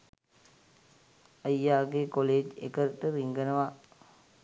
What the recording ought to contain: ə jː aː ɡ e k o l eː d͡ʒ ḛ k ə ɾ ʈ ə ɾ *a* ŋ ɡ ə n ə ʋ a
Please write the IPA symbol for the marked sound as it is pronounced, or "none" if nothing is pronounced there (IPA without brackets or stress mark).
i